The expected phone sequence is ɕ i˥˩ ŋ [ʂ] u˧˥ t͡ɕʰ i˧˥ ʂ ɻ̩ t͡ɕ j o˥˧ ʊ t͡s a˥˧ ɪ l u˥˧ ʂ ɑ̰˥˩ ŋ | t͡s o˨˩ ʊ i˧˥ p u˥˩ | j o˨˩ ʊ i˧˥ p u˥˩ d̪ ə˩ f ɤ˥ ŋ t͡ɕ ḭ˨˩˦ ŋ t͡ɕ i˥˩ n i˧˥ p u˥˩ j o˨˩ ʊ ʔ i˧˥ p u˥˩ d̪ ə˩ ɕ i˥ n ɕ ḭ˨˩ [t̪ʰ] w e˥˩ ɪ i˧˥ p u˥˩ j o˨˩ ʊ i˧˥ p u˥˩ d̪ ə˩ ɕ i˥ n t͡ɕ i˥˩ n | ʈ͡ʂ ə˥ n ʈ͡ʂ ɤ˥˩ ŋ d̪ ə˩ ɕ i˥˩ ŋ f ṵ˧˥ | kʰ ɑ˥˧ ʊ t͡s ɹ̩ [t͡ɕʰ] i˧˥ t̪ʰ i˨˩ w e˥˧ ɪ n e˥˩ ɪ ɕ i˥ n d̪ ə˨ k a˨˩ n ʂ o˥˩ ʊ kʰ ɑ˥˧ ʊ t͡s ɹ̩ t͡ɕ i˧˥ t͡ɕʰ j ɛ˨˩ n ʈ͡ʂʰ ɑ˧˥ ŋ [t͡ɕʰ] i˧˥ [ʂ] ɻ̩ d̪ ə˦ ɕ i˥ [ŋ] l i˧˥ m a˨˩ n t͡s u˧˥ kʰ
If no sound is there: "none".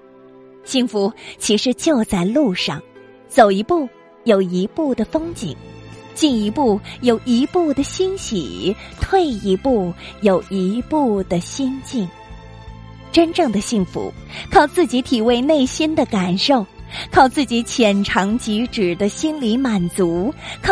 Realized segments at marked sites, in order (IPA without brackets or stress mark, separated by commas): f, t̪ʰ, t͡ɕ, t͡ɕ, ʈ͡ʂ, n